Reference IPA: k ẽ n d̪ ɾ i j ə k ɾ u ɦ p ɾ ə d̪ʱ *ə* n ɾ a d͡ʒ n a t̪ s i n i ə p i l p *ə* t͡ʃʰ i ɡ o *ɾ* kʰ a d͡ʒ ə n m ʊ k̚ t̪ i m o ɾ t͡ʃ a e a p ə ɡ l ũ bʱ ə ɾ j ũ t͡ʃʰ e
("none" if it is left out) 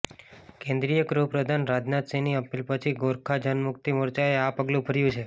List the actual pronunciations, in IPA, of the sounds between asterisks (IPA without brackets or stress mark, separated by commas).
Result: a, ə, ɾ